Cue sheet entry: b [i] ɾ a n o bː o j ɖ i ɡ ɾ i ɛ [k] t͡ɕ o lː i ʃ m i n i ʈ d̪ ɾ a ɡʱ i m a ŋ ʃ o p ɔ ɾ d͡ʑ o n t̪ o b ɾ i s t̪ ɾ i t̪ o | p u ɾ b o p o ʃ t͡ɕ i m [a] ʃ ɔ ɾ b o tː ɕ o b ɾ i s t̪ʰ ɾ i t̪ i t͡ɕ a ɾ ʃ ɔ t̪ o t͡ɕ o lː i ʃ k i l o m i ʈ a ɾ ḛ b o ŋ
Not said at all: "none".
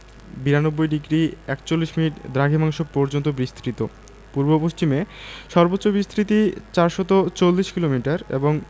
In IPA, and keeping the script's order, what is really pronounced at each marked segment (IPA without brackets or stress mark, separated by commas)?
i, k, e